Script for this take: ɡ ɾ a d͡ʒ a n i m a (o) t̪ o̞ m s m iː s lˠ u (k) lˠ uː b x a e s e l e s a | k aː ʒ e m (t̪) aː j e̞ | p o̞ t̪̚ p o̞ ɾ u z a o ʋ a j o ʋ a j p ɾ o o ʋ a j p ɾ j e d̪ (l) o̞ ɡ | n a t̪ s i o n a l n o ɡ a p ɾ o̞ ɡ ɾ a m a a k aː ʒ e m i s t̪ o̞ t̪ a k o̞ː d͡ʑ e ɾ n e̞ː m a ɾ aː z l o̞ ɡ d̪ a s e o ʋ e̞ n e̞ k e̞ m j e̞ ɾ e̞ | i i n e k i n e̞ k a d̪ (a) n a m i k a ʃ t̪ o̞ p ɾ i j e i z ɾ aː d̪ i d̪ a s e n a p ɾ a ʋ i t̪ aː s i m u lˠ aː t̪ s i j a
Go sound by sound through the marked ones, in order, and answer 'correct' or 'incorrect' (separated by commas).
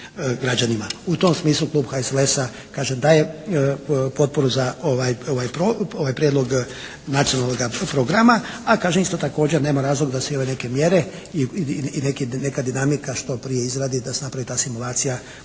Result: incorrect, correct, incorrect, correct, incorrect